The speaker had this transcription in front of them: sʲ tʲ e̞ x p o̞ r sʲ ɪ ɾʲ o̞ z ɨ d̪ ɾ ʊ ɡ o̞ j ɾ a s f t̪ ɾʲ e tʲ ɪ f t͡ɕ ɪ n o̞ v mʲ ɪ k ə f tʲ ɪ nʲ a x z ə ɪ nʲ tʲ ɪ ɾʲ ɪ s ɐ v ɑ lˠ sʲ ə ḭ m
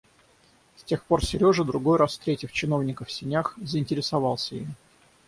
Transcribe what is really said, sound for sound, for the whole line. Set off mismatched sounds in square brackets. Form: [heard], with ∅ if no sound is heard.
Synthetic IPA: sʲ tʲ e̞ x p o̞ r sʲ ɪ ɾʲ o̞ [ʐ] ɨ d̪ ɾ ʊ ɡ o̞ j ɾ a s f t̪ ɾʲ e tʲ ɪ f t͡ɕ ɪ n o̞ v [nʲ] ɪ k ə f [sʲ] ɪ nʲ a x z ə ɪ nʲ tʲ ɪ ɾʲ ɪ s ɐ v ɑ lˠ sʲ ə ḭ m